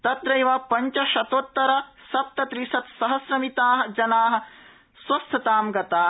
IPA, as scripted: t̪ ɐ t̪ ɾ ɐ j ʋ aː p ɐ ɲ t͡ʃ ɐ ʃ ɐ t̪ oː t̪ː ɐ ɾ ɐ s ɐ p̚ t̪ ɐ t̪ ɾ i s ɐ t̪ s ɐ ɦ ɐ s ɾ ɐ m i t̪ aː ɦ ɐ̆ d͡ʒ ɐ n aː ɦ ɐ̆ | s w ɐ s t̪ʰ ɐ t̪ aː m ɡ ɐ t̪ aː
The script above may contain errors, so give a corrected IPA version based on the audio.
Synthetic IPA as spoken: t̪ ɐ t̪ ɾ ɐ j ʋ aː p ɐ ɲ t͡ʃ ɐ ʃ ɐ t̪ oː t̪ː ɐ ɾ ɐ s ɐ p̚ t̪ ɐ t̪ ɾ i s ɐ t̪ s ɐ ɦ ɐ s ɾ ɐ m i t̪ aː ɦ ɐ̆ d͡ʒ ɐ n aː ɦ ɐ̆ | s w ɐ s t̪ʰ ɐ t̪ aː m ɡ ɐ t̪ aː